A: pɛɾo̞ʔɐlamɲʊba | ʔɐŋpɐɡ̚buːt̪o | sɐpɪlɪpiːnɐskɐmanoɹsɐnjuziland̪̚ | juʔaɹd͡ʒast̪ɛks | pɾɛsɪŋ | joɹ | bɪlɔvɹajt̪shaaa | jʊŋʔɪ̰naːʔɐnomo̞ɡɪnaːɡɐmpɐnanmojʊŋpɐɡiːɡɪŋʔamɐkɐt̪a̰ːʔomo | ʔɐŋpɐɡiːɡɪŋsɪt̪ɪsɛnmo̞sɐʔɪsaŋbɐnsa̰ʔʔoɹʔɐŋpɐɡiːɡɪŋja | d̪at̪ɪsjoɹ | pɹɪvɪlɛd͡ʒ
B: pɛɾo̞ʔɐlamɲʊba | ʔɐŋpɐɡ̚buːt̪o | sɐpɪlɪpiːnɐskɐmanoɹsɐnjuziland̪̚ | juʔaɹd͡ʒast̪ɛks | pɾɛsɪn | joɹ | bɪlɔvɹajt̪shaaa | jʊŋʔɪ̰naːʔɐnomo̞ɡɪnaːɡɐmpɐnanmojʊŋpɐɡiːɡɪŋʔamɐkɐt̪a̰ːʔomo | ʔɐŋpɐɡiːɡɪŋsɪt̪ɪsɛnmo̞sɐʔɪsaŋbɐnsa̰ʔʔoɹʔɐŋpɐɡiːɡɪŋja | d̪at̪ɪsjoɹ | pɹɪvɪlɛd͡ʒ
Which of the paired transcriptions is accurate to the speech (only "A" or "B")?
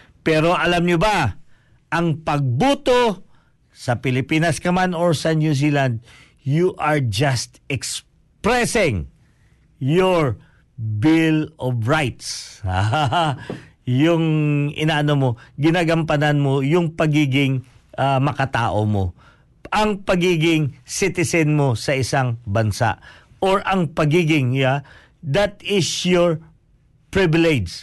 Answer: A